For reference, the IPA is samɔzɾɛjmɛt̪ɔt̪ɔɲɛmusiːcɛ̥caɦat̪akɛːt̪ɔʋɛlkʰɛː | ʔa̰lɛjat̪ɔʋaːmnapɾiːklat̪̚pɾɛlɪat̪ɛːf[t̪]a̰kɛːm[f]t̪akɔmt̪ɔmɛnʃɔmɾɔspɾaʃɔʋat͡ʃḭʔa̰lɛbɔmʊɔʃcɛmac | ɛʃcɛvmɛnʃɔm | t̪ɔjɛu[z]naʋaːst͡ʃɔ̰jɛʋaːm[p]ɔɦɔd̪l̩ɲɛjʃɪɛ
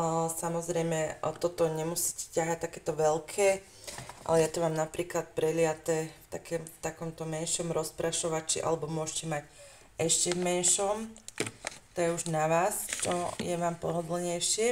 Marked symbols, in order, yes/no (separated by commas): yes, yes, no, yes